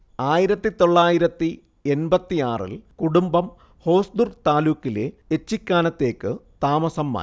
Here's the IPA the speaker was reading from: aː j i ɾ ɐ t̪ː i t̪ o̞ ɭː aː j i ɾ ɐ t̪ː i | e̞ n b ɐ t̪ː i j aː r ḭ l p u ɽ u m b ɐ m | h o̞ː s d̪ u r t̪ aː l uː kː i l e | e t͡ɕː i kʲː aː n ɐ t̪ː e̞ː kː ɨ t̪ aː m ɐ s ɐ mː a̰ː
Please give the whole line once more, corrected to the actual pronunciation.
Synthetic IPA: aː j i ɾ ɐ t̪ː i t̪ o̞ ɭː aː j i ɾ ɐ t̪ː i | e̞ n b ɐ t̪ː i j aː r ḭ l k u ɽ u m b ɐ m | h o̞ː s d̪ u r t̪ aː l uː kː i l e | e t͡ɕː i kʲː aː n ɐ t̪ː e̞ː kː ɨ t̪ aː m ɐ s ɐ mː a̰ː